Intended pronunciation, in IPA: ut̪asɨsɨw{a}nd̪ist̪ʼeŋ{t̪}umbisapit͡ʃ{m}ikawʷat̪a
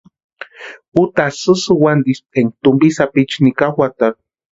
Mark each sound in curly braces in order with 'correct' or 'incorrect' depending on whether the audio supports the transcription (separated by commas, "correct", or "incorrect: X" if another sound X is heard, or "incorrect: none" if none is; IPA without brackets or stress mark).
correct, correct, incorrect: n